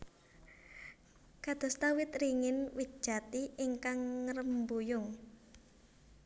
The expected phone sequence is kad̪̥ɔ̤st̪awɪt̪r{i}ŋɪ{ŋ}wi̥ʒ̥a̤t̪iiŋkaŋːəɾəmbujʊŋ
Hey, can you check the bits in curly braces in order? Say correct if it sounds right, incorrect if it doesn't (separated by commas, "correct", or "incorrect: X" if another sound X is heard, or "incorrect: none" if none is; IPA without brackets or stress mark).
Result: correct, incorrect: n